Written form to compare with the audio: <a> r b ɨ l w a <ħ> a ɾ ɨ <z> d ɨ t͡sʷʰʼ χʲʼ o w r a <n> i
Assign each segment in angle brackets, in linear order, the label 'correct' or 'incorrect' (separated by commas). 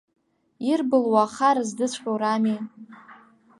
incorrect, incorrect, correct, incorrect